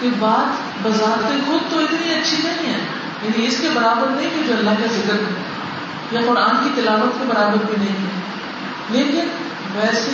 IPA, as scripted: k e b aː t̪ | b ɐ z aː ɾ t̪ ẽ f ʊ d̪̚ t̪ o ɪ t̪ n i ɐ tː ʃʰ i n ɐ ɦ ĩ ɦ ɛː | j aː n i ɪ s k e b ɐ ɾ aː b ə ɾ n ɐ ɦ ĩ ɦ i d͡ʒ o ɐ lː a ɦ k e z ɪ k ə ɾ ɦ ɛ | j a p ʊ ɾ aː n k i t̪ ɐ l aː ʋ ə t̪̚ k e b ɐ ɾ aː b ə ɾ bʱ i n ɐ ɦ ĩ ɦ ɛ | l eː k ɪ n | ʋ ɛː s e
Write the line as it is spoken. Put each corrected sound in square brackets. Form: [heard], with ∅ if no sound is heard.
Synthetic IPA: k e b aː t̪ | b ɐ z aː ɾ t̪ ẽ [x] ʊ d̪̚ t̪ o ɪ t̪ n i ɐ tː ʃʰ i n ɐ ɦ ĩ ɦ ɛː | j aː n i ɪ s k e b ɐ ɾ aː b ə ɾ n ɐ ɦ ĩ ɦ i d͡ʒ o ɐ lː a ɦ k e z ɪ k ə ɾ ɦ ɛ | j a [q] ʊ ɾ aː n k i t̪ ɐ l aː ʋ ə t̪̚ k e b ɐ ɾ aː b ə ɾ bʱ i n ɐ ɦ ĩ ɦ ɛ | l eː k ɪ n | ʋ ɛː s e